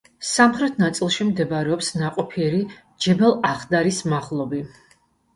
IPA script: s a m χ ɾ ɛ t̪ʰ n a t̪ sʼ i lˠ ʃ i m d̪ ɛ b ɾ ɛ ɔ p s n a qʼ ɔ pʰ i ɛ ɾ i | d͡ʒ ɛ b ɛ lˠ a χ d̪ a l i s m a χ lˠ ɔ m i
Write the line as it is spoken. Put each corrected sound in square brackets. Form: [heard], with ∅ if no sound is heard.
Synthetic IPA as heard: s a m χ ɾ ɛ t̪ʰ n a t̪ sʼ i lˠ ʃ i m d̪ ɛ b ɾ ɛ ɔ p s n a qʼ ɔ pʰ i ɛ ɾ i | d͡ʒ ɛ b ɛ lˠ a χ d̪ a [ɾ] i s m a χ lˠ ɔ [b] i